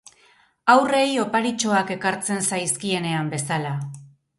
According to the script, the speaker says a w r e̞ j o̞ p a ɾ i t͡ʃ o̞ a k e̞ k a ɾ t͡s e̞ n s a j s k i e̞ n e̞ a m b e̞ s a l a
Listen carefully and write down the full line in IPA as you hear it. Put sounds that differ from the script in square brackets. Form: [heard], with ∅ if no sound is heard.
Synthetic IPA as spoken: a w r e̞ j o̞ p a ɾ i t͡ʃ o̞ a k e̞ k a ɾ t͡s e̞ n s a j s k i e̞ n e̞ a m b e̞ s a l a